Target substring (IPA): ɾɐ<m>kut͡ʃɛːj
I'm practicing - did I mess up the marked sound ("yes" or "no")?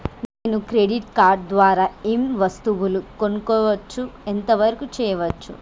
yes